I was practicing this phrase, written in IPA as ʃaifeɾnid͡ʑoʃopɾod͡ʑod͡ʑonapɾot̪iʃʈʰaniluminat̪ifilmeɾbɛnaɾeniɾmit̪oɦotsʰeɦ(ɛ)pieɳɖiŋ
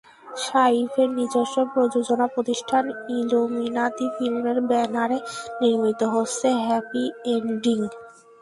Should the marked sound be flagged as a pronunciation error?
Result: no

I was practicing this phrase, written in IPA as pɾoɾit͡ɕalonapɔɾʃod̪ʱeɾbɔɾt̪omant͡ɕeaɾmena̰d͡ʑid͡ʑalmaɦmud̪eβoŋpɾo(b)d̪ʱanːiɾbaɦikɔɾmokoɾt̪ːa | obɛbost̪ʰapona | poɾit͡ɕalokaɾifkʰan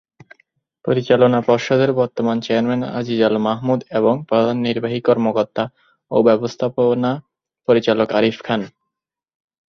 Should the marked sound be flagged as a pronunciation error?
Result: yes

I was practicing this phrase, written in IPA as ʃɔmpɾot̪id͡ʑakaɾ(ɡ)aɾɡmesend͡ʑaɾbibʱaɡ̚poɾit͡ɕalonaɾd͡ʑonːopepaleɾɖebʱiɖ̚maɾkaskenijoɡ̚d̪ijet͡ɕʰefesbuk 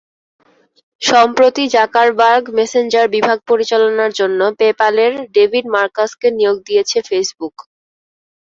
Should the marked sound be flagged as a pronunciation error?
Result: yes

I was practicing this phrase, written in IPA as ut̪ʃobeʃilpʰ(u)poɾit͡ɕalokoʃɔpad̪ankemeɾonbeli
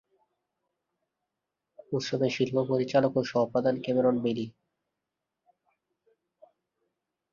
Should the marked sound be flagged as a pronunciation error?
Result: yes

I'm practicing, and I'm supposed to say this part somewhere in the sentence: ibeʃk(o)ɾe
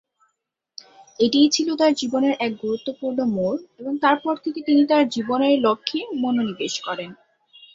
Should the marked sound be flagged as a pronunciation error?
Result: yes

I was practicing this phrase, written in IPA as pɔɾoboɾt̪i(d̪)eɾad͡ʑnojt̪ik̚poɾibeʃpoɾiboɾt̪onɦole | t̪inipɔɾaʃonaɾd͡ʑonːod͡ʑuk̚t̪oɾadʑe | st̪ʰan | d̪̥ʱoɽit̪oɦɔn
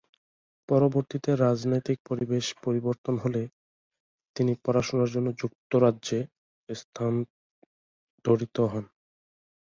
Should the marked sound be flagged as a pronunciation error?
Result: yes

